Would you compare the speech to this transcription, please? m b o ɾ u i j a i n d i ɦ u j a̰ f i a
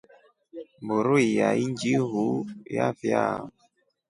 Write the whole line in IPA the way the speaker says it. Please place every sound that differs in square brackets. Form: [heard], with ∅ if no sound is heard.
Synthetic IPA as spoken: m b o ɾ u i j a i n [d͡ʒ] i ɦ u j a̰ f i a